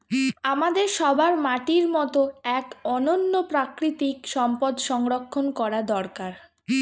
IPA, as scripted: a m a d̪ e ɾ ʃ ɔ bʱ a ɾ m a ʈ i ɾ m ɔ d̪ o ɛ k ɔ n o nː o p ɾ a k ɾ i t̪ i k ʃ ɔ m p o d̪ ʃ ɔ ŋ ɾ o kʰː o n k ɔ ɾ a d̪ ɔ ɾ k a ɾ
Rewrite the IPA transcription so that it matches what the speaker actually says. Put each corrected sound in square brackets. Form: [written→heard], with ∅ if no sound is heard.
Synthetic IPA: a m a d̪ e ɾ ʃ ɔ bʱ a ɾ m a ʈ i ɾ m ɔ [d̪→t̪] o ɛ k ɔ n o nː o p ɾ a k ɾ i t̪ i k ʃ ɔ m p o d̪ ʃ ɔ ŋ ɾ o kʰː o n k ɔ ɾ a d̪ ɔ ɾ k a ɾ